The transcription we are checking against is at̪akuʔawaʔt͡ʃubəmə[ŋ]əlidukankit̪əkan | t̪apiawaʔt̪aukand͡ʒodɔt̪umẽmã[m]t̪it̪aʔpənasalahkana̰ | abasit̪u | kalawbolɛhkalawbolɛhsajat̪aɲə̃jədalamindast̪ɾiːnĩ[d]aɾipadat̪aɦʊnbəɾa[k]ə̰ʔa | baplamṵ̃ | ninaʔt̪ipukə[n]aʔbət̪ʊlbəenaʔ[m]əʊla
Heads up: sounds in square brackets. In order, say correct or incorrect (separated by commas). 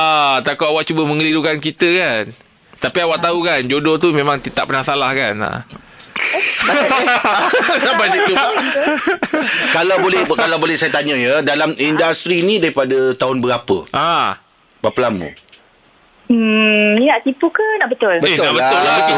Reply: correct, incorrect, correct, incorrect, correct, incorrect